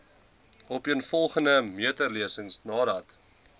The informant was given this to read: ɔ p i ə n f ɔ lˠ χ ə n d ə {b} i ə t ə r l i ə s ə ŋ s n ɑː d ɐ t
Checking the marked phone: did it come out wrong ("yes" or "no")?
yes